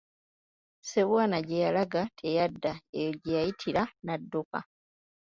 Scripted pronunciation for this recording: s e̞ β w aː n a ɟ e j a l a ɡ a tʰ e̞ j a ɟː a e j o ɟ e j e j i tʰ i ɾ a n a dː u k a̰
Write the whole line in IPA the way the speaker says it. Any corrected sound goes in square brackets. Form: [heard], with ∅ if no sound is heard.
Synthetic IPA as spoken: s e̞ β w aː n a ɟ e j a l a ɡ a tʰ e̞ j a [dː] a e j o ɟ e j [a] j i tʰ i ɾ a n a dː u k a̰